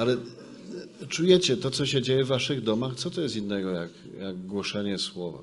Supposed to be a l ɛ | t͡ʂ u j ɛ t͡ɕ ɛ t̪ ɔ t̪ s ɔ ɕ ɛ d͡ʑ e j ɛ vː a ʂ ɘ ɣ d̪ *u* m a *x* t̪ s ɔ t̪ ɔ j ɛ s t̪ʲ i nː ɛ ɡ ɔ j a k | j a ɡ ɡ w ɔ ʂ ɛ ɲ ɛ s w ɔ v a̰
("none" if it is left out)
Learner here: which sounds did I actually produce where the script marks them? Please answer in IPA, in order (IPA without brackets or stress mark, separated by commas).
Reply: ɔ, x